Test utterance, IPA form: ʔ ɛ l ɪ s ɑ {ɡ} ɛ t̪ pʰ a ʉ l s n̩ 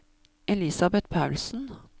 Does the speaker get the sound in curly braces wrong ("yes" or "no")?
yes